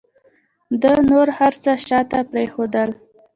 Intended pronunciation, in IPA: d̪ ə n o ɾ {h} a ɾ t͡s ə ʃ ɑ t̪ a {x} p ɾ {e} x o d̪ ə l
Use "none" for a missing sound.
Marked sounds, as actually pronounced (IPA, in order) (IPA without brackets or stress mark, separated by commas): h, none, e